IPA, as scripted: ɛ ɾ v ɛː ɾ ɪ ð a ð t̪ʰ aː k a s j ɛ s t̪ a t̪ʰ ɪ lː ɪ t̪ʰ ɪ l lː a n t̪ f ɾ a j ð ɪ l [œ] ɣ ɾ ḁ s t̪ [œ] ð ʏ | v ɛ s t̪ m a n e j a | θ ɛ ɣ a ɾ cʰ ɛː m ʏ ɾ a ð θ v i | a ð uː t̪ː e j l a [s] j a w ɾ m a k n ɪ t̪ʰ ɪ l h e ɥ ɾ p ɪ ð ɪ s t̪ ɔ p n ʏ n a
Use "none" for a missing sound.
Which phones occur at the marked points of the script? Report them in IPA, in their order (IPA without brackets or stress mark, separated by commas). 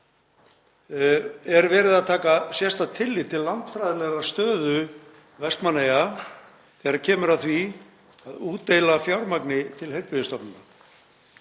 ɛ, œː, f